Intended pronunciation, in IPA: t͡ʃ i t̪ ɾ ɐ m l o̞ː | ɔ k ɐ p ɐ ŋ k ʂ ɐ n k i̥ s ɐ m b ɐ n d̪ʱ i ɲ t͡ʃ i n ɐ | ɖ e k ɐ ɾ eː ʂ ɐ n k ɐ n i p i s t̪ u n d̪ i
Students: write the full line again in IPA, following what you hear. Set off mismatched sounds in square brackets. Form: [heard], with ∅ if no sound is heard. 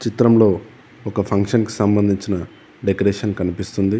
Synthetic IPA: t͡ʃ i t̪ ɾ ɐ m l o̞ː | ɔ k ɐ [pʰ] ɐ ŋ k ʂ ɐ n k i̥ s ɐ m b ɐ n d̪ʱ i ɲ t͡ʃ i n ɐ | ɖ e k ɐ ɾ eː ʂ ɐ n k ɐ n i p i s t̪ u n d̪ i